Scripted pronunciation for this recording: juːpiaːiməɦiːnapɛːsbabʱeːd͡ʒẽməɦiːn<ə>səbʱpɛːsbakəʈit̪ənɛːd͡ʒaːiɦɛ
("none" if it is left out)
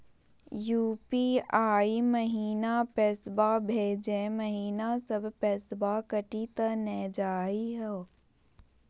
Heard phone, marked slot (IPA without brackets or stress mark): a